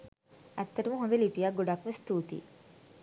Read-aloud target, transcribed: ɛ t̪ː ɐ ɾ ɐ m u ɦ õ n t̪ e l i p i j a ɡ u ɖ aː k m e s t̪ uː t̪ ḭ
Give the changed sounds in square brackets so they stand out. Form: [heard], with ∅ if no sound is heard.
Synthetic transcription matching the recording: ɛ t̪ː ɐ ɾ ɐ m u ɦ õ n [d̪] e l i p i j a ɡ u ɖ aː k m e s t̪ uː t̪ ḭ